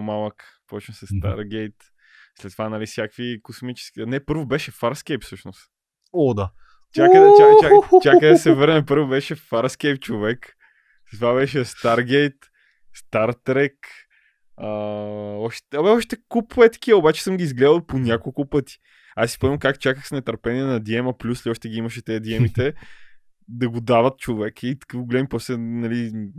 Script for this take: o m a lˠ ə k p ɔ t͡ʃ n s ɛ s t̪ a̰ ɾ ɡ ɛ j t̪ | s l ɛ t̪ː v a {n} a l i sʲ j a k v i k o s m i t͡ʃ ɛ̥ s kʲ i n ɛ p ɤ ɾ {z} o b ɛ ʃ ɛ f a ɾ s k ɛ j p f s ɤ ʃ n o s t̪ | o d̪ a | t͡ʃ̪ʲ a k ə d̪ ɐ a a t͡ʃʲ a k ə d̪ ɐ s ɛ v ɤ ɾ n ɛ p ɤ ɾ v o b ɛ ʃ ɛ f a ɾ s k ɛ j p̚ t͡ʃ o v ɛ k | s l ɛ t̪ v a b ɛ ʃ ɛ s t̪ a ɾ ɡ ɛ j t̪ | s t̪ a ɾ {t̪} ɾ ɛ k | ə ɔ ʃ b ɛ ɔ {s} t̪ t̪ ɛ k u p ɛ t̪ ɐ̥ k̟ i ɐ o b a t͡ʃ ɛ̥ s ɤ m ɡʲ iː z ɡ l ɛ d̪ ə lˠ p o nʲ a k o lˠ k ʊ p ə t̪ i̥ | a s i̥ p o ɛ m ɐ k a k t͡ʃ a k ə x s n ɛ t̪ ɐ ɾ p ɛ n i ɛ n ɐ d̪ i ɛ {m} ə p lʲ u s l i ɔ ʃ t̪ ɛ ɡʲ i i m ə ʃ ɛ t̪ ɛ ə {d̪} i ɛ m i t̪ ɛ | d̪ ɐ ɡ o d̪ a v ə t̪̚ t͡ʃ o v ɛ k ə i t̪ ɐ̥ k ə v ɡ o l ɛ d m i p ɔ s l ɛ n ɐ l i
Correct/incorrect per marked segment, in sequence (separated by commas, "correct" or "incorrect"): correct, incorrect, correct, incorrect, correct, correct